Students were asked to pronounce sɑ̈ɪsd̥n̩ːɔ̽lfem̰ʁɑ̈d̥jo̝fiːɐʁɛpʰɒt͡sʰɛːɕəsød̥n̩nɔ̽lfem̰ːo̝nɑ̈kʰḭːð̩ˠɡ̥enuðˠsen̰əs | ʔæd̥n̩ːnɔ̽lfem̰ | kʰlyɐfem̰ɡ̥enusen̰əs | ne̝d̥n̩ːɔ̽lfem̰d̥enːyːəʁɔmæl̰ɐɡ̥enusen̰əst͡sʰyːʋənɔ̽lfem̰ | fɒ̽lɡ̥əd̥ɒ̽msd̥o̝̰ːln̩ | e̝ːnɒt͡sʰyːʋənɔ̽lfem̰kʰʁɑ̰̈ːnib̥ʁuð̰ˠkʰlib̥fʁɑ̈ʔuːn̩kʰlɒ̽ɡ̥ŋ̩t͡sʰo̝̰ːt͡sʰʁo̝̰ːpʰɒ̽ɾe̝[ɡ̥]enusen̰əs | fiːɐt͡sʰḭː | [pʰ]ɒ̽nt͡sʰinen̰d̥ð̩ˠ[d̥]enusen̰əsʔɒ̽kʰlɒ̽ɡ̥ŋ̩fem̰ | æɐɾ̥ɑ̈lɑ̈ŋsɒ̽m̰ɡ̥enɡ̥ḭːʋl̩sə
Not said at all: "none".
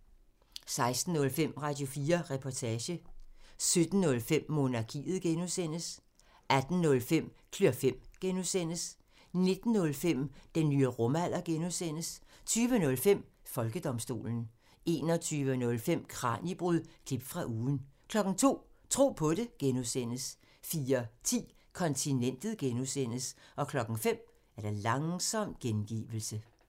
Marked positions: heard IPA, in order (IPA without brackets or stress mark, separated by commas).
ɡ̥, kʰ, ɡ̥